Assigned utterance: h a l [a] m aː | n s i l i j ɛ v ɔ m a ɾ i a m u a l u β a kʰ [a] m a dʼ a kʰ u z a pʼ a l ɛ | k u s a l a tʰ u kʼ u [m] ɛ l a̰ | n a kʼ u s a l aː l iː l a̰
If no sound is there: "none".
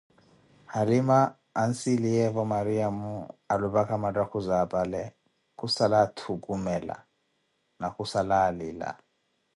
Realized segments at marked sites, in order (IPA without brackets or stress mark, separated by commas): i, a, m